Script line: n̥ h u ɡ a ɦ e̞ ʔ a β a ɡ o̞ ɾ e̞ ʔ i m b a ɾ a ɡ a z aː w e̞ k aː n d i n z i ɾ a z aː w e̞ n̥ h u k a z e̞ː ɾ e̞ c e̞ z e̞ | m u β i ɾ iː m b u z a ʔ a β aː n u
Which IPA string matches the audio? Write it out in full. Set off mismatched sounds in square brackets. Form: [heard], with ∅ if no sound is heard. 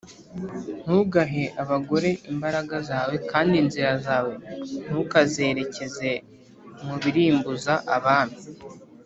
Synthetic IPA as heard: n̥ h u ɡ a ɦ e̞ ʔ a β a ɡ o̞ ɾ e̞ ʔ i m b a ɾ a ɡ a z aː w e̞ k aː n d i n z i ɾ a z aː w e̞ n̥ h u k a z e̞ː ɾ e̞ c e̞ z e̞ | m u β i ɾ iː m b u z a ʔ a β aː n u